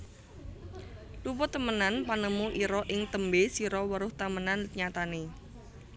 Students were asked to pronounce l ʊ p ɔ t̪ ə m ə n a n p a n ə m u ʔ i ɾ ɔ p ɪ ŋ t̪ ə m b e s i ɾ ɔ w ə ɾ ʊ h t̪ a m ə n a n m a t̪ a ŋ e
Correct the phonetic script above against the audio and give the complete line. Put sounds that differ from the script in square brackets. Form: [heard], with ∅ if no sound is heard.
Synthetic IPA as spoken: l [u] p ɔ t̪ ə m ə n a n p a n ə m u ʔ i ɾ ɔ [ʔ] ɪ ŋ t̪ ə m b e s i ɾ ɔ w ə ɾ ʊ h t̪ a m ə n a n [ɲ] a t̪ a [n] e